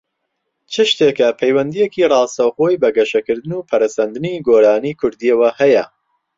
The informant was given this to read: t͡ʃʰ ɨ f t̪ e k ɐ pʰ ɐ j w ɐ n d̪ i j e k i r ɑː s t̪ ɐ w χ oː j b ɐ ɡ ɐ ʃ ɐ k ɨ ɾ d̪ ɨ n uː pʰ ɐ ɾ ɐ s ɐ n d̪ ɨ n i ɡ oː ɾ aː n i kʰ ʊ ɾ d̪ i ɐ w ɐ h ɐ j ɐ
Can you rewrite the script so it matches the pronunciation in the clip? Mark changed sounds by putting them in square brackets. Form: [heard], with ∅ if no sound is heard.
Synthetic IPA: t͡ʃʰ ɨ [ʃ] t̪ e k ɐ pʰ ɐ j w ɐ n d̪ i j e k i r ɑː s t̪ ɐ w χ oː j b ɐ ɡ ɐ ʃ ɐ k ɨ ɾ d̪ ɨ n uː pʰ ɐ ɾ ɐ s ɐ n d̪ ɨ n i ɡ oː ɾ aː n i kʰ ʊ ɾ d̪ i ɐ w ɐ h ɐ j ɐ